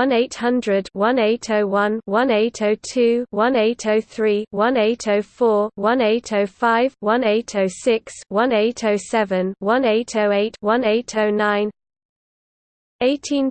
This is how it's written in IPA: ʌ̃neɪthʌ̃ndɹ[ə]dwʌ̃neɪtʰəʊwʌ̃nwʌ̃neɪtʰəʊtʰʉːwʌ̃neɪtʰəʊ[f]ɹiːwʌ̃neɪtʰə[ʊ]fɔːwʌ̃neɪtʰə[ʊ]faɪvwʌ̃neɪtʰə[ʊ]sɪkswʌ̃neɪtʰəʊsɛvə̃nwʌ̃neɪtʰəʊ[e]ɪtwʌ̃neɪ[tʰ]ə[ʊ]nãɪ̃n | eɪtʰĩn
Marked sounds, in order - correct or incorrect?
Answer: correct, incorrect: θ, correct, correct, correct, correct, correct, correct

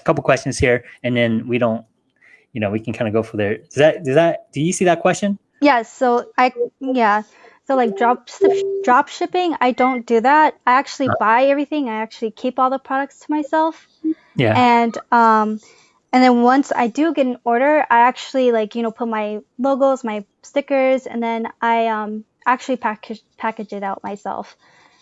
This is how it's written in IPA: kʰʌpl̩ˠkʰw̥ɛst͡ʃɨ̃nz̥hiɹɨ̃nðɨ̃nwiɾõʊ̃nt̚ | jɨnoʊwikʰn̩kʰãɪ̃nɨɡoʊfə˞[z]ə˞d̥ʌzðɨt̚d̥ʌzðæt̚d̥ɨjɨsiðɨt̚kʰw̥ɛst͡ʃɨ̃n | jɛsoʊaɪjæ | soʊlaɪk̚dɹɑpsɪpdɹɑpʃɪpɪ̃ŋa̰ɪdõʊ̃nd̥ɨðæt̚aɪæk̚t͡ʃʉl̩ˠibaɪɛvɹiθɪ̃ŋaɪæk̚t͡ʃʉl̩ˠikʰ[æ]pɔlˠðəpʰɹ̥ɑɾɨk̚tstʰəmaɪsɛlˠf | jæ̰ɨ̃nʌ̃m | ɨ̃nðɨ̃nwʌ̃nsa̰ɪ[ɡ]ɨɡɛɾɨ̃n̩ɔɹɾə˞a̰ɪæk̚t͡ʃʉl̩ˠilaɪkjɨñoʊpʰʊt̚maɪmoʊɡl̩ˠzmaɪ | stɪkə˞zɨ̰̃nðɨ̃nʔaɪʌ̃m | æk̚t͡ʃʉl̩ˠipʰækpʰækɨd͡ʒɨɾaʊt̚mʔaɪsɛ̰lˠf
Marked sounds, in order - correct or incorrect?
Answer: incorrect: ð, incorrect: i, incorrect: d

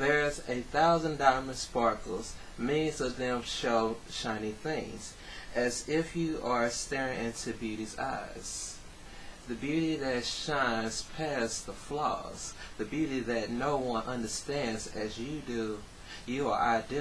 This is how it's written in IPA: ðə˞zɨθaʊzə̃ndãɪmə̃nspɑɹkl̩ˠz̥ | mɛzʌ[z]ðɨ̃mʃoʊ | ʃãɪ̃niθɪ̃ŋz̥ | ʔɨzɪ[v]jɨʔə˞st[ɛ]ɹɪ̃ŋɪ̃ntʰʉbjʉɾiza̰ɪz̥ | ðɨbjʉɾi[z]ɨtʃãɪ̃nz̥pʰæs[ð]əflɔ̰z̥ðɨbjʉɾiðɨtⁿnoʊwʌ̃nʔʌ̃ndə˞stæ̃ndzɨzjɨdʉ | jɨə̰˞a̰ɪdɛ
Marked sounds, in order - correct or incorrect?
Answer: incorrect: v, incorrect: f, correct, incorrect: ð, correct

